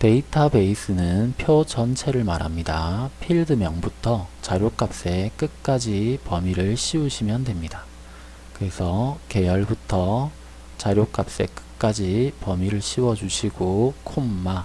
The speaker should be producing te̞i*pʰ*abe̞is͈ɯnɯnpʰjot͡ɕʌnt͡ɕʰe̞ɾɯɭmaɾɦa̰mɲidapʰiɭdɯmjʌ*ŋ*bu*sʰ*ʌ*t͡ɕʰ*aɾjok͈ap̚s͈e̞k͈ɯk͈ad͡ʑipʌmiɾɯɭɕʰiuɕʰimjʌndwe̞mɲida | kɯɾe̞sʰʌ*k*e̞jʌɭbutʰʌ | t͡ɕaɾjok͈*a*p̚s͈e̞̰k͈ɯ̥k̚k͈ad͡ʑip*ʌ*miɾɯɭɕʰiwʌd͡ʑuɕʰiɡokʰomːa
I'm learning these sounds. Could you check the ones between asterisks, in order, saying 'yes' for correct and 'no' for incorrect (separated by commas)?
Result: no, yes, no, no, yes, yes, yes